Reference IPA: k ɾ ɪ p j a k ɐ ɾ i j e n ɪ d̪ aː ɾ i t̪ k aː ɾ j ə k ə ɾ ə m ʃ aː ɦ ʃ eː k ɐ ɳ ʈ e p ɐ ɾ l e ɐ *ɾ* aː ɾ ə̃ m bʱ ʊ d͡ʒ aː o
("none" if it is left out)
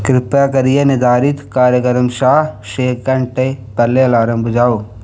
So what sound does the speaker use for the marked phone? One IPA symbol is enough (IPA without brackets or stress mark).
l